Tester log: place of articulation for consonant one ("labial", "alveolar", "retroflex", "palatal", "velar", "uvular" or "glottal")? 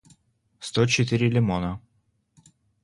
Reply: alveolar